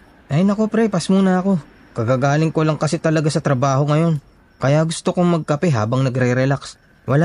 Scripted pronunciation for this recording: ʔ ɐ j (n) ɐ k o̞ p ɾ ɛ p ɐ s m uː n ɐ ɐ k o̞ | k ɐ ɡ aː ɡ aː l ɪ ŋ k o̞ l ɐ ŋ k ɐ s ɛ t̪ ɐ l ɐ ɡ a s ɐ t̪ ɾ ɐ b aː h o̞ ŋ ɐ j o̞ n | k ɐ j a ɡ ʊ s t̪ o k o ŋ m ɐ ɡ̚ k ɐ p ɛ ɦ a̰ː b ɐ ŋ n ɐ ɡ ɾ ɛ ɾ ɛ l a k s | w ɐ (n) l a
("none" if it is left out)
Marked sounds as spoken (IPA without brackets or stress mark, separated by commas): n, none